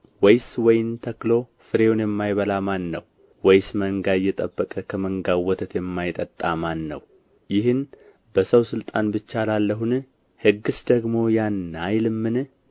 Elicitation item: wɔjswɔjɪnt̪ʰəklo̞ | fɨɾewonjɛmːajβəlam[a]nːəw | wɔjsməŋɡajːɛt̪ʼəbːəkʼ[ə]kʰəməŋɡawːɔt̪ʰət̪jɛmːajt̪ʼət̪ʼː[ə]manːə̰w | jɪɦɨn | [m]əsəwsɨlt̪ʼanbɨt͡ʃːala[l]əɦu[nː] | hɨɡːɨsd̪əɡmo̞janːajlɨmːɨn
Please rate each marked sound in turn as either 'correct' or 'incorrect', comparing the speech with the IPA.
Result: correct, correct, incorrect: a, incorrect: b, incorrect: lː, incorrect: n

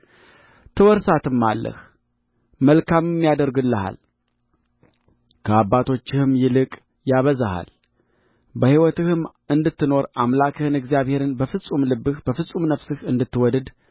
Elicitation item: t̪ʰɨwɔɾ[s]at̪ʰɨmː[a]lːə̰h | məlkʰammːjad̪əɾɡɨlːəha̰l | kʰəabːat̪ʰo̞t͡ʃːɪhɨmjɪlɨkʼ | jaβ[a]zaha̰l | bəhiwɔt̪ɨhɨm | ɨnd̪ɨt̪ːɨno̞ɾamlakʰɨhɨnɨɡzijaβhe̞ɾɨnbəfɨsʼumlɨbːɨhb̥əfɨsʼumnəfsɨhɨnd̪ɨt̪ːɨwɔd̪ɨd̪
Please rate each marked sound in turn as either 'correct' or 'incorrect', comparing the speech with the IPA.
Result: correct, correct, incorrect: ə

